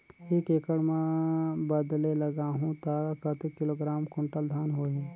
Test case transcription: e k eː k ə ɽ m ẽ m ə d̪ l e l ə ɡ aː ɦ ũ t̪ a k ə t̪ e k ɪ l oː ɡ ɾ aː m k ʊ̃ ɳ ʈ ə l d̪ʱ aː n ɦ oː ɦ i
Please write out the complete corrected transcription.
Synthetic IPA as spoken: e k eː k ə ɽ m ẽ b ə d̪ l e l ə ɡ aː ɦ ũ t̪ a k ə t̪ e k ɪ l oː ɡ ɾ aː m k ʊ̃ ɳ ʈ ə l d̪ʱ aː n ɦ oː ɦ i